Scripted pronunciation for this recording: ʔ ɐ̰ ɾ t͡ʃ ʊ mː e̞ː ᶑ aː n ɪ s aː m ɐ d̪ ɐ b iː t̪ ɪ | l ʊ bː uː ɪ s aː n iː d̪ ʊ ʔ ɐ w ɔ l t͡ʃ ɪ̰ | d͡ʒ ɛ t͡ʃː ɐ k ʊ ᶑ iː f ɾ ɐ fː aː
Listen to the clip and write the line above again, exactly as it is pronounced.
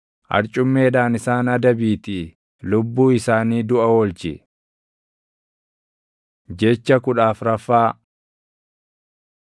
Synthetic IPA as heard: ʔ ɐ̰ ɾ t͡ʃʼ ʊ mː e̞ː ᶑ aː n ɪ s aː n ɐ d̪ ɐ b iː t̪ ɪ | l ʊ bː uː ɪ s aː n iː d̪ ʊ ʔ ɐ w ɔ l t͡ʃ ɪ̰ | d͡ʒ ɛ t͡ʃː ɐ k ʊ ᶑ aː f ɾ ɐ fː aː